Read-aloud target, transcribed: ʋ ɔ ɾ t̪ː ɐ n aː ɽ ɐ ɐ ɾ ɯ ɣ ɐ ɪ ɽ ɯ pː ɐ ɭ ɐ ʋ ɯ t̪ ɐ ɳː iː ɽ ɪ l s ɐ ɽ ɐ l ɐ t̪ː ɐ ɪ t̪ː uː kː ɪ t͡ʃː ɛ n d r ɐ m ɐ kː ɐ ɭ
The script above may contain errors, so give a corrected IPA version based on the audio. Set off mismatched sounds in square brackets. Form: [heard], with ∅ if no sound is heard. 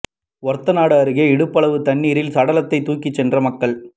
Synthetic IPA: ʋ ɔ ɾ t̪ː ɐ n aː ɽ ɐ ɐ ɾ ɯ ɣ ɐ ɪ ɽ ɯ pː ɐ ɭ ɐ ʋ ɯ t̪ ɐ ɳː iː [ɾ] ɪ l s ɐ ɽ ɐ l ɐ t̪ː ɐ ɪ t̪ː uː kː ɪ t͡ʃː ɛ n d r ɐ m ɐ kː ɐ ɭ